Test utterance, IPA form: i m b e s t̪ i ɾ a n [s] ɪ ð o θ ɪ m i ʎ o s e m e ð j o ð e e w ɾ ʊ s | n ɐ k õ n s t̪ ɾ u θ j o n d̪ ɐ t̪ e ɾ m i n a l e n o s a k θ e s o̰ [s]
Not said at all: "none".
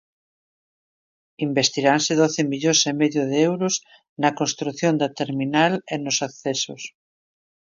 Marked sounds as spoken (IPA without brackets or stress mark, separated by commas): s, s